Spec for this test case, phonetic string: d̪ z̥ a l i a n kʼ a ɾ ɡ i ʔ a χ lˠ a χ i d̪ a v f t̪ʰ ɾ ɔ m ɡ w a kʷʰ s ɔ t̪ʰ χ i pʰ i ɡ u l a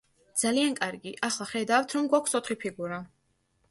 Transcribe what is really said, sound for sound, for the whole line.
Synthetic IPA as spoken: d̪ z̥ a l i a n kʼ a ɾ ɡ i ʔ a χ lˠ a χ ɛ d̪ a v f t̪ʰ ɾ ɔ m ɡ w a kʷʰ s ɔ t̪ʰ χ i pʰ i ɡ u ɾ a

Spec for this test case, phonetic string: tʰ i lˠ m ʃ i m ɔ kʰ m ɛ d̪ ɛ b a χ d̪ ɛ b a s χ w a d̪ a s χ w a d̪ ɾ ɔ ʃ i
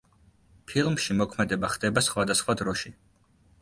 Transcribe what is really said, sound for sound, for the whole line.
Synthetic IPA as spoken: pʰ i lˠ m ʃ i m ɔ kʰ m ɛ d̪ ɛ b a χ d̪ ɛ b a s χ w a d̪ a s χ w a d̪ ɾ ɔ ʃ i

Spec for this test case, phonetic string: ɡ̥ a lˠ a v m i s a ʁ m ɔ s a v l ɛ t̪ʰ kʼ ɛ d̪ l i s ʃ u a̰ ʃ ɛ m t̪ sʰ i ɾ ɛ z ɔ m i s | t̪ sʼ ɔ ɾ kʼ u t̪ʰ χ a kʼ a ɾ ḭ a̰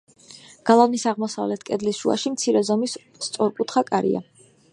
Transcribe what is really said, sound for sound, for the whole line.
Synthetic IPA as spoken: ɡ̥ a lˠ a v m i s a ʁ m ɔ s a v l ɛ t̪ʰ kʼ ɛ d̪ l i s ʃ u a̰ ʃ i m t̪ sʰ i ɾ ɛ z ɔ m i s | t̪ sʼ ɔ ɾ kʼ u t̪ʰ χ a kʼ a ɾ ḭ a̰

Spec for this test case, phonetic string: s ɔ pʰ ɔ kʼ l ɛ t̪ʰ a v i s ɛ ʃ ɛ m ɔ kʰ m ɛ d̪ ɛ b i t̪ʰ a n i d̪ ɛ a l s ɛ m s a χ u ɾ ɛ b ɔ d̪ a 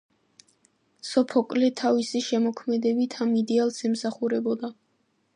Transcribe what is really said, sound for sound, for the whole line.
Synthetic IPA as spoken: s ɔ pʰ ɔ kʼ l ɛ t̪ʰ a v i s i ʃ ɛ m ɔ kʰ m ɛ d̪ ɛ b i t̪ʰ a m i d̪ ɛ a l s ɛ m s a χ u ɾ ɛ b ɔ d̪ a

